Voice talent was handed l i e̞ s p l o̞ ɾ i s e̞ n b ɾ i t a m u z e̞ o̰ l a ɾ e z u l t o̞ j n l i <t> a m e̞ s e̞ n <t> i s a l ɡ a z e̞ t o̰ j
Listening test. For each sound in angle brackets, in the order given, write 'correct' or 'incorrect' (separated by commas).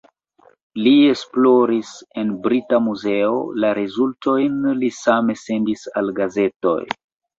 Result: incorrect, incorrect